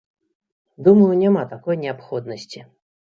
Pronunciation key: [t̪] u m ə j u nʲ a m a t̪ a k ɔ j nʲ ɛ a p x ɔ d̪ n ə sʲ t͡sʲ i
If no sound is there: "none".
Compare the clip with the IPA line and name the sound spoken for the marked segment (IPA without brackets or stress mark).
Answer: d̪